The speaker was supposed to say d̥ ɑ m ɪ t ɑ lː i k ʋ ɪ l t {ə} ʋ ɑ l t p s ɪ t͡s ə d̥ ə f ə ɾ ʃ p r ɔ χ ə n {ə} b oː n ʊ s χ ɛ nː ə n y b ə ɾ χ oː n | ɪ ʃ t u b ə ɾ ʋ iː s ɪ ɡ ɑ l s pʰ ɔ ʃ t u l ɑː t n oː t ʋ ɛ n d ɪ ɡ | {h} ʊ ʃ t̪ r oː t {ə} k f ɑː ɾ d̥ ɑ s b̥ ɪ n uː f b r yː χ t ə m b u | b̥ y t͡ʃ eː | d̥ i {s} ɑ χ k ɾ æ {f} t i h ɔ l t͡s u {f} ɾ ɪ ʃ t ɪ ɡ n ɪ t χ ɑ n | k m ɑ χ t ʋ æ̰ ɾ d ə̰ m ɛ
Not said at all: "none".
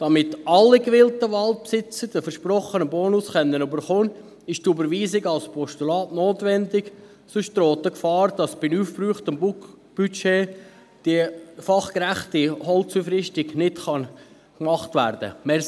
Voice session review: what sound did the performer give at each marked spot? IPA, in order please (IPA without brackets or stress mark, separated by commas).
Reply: ə, ə, s, ə, f, χ, f